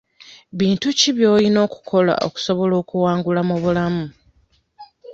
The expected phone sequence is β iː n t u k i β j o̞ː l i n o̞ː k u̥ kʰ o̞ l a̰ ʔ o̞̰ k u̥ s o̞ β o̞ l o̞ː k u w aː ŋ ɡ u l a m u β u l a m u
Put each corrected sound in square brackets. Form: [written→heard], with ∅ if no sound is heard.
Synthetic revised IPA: β iː n t u [k→c] i β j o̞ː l i n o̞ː k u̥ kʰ o̞ l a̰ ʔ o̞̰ k u̥ s o̞ β o̞ l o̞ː k u w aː ŋ ɡ u l a m u β u l a m u